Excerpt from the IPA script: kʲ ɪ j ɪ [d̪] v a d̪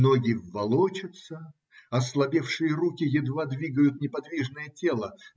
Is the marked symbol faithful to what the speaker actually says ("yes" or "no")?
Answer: yes